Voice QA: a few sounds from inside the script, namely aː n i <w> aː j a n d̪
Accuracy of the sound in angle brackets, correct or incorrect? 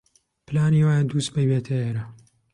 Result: correct